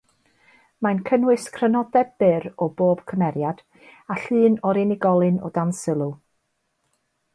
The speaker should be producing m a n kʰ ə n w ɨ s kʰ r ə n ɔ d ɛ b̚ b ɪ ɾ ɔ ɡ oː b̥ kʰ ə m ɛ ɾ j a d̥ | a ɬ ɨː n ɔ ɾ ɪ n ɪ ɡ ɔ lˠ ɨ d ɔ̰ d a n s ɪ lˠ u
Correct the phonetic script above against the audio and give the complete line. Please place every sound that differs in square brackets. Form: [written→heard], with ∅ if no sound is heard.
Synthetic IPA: m a n kʰ ə n w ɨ s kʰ r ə n ɔ d ɛ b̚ b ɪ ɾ ɔ [ɡ→b] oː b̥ kʰ ə m ɛ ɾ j a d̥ | a ɬ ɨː n ɔ ɾ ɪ n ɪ ɡ ɔ lˠ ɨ [d→n] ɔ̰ d a n s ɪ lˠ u